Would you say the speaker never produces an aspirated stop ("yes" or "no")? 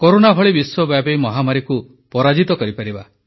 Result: yes